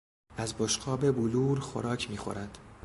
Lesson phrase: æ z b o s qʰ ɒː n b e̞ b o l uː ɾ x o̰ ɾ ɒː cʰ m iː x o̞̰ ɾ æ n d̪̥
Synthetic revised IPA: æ z b o ʃ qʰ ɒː b e̞ b u l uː ɾ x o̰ ɾ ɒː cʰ m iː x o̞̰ ɾ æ n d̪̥